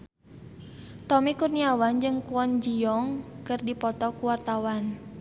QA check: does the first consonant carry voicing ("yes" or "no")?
no